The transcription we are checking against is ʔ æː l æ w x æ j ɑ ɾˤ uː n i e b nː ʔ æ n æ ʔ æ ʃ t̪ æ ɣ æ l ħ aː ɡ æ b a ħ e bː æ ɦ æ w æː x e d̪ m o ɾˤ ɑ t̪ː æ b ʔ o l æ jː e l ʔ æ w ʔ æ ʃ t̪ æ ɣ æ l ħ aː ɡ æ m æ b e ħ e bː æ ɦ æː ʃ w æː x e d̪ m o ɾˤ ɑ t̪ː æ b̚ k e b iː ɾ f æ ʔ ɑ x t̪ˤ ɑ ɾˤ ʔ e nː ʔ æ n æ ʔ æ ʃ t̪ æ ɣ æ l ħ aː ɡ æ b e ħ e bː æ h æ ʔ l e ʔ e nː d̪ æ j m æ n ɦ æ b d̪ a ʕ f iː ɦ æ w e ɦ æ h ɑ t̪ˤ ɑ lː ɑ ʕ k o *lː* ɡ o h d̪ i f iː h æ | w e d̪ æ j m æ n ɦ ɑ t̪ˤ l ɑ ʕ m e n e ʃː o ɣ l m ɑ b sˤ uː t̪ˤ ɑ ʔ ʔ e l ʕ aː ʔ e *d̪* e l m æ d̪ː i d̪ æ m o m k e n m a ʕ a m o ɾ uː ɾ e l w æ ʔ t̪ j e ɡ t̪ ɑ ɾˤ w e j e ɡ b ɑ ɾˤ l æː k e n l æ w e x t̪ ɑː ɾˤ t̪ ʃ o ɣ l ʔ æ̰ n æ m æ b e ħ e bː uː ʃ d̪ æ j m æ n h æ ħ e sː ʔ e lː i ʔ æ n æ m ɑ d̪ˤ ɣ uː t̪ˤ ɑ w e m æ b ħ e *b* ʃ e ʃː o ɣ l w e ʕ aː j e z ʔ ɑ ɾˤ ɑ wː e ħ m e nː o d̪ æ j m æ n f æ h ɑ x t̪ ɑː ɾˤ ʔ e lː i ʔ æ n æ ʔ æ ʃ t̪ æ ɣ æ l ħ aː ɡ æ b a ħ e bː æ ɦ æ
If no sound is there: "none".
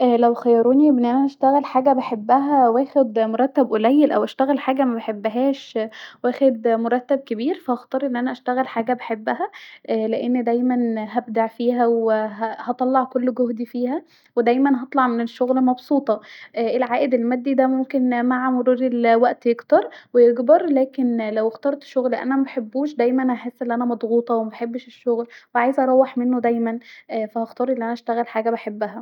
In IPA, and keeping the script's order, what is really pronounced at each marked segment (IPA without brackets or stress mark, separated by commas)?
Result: lː, d̪, bː